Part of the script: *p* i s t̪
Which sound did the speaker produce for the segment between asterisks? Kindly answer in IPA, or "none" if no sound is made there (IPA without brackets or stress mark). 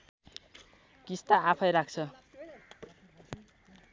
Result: k